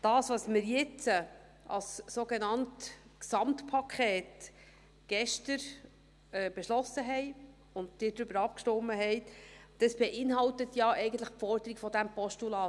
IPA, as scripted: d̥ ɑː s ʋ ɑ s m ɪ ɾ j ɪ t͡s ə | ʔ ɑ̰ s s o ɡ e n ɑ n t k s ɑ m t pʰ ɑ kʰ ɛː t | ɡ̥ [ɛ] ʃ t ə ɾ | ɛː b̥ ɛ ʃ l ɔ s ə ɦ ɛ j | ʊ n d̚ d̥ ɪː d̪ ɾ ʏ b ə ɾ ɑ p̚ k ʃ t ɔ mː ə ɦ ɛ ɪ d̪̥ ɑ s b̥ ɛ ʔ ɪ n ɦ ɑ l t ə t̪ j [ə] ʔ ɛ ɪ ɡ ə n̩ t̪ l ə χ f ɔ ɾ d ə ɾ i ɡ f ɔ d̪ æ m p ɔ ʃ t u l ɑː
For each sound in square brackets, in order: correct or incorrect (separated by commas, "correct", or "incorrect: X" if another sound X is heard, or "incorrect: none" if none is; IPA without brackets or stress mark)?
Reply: correct, incorrect: ɑ